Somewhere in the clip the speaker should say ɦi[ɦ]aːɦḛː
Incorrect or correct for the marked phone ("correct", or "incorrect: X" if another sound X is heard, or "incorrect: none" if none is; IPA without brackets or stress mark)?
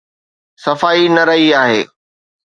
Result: incorrect: none